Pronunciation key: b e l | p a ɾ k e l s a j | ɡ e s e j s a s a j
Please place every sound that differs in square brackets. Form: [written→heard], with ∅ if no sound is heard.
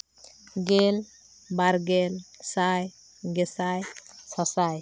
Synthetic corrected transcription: [b→ɡ] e l | [p→b] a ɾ [k→ɡ] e l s a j | ɡ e s [e→a] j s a s a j